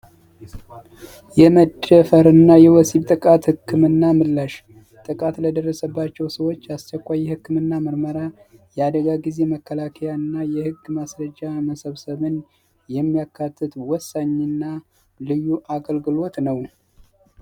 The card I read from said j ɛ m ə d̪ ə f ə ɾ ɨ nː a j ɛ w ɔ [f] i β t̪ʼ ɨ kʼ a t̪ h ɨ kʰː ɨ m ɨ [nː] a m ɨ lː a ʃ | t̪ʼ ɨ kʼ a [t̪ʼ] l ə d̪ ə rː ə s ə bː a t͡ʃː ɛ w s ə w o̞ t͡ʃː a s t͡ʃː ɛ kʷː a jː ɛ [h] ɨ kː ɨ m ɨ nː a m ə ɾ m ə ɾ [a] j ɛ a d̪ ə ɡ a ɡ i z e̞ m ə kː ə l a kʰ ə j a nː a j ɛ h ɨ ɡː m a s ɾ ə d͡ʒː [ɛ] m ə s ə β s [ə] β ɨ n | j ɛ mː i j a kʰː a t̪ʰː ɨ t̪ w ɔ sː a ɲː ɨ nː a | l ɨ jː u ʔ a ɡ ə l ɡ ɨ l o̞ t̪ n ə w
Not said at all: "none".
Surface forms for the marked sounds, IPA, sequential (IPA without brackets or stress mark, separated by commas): s, nː, t̪, h, a, a, ə